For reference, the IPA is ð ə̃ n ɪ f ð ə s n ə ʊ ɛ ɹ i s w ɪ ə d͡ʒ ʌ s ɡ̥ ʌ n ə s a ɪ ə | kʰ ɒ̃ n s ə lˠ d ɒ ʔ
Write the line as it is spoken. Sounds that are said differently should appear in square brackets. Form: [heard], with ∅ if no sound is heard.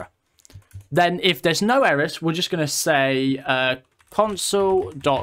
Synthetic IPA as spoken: ð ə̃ n ɪ f ð ə [z] n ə ʊ ɛ ɹ [ɪ] s w ɪ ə d͡ʒ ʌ s ɡ̥ ʌ n ə s [e] ɪ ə | kʰ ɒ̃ n s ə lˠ d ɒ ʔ